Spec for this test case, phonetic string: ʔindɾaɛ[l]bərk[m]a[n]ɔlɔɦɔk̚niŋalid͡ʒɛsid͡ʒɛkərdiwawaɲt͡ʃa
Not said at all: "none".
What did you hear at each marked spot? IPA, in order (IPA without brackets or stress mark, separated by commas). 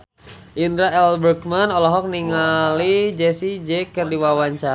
l, m, n